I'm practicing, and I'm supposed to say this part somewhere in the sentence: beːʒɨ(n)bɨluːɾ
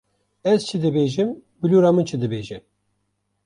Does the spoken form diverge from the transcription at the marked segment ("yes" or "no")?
yes